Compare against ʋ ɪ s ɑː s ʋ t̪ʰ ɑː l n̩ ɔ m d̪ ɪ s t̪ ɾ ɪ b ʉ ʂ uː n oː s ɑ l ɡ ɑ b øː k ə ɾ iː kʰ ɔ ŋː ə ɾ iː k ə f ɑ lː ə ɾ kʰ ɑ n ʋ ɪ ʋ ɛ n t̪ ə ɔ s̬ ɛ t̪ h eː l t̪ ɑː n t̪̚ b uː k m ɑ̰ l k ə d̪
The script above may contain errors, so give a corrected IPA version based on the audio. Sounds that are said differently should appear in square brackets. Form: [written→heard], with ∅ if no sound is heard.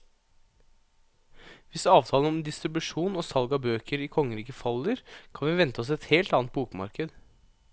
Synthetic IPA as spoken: ʋ ɪ s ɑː [s→∅] ʋ t̪ʰ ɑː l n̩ ɔ m d̪ ɪ s t̪ ɾ ɪ b ʉ ʂ uː n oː s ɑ l ɡ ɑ b øː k ə ɾ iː kʰ ɔ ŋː ə ɾ iː k ə f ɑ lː ə ɾ kʰ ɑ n ʋ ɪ ʋ ɛ n t̪ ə ɔ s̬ ɛ t̪ h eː l t̪ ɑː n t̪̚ b uː k m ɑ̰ [l→ɾ] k ə d̪